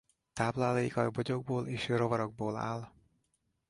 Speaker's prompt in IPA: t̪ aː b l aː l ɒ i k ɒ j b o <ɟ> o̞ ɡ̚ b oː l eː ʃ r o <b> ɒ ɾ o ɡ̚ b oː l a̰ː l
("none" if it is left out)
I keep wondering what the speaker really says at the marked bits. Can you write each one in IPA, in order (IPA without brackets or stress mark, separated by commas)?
ɟ, v